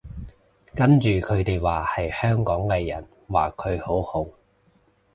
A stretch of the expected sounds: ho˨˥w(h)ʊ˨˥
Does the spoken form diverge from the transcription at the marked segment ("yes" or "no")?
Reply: no